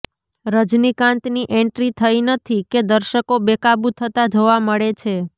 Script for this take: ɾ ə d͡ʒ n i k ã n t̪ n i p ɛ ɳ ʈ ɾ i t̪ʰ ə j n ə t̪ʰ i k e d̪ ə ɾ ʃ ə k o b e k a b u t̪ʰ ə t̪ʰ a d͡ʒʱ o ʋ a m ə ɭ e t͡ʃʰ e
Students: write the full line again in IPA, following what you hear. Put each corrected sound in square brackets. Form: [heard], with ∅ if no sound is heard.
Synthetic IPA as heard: ɾ ə d͡ʒ n i k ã n t̪ n i [ʔ] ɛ ɳ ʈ ɾ i t̪ʰ ə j n ə t̪ʰ i k e d̪ ə ɾ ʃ ə k o b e k a b u t̪ʰ ə [t̪] a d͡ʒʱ o ʋ a m ə ɭ e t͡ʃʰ e